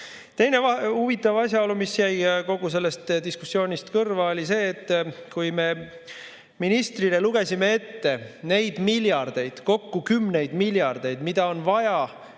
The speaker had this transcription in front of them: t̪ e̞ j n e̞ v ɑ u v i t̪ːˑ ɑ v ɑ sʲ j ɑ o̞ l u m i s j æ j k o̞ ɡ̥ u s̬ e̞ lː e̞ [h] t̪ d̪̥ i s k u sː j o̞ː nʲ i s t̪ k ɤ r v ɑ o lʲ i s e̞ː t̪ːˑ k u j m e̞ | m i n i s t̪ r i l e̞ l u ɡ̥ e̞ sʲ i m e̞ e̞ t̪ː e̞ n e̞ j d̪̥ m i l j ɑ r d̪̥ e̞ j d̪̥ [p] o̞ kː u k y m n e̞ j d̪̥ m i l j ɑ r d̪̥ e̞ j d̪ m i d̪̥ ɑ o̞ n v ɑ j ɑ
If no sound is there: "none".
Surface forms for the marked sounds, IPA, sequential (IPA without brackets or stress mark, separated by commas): s, k